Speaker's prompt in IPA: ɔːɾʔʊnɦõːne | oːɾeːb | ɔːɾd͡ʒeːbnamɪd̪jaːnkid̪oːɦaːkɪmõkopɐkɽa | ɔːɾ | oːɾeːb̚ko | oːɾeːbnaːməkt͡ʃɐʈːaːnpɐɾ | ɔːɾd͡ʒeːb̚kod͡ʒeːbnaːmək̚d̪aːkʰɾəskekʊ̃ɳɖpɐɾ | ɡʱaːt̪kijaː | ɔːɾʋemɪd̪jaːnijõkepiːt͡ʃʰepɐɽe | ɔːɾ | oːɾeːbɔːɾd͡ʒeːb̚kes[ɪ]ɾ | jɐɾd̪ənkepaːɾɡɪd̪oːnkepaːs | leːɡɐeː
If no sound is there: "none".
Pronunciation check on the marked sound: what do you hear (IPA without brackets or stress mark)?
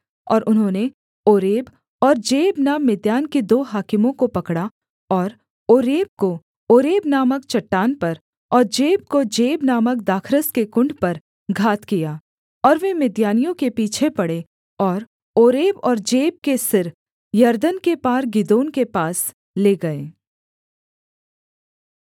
ɪ